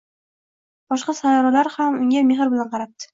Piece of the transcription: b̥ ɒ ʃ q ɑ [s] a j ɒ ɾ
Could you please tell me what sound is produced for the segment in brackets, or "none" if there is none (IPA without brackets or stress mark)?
s